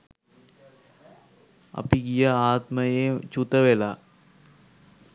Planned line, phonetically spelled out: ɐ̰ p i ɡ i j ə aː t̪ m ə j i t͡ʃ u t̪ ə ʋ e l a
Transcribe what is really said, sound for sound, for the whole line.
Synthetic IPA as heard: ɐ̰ p i ɡ i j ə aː t̪ m ə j e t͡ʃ u t̪ ə ʋ e l a